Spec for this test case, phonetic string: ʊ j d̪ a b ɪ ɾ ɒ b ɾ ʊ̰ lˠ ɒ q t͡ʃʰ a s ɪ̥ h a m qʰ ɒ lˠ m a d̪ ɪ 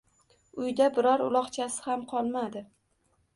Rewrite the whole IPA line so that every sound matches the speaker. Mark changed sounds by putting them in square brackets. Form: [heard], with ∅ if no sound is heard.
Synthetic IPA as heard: ʊ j d̪ a b ɪ ɾ ɒ [∅] ɾ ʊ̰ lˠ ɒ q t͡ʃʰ a s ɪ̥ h a m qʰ ɒ lˠ m a d̪ ɪ